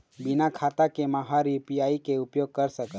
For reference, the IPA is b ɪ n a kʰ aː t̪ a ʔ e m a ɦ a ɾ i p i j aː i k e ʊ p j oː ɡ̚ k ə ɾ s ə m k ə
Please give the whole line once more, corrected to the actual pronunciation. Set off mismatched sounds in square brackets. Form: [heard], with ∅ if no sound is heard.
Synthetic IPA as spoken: b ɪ n a kʰ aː t̪ a [k] e m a ɦ a ɾ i p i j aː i k e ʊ p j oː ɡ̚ k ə ɾ s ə [∅] k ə